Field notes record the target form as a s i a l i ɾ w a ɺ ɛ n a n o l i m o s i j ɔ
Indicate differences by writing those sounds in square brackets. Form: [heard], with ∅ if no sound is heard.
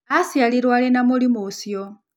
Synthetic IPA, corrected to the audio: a s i a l i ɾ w a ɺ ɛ n a [m] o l i m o s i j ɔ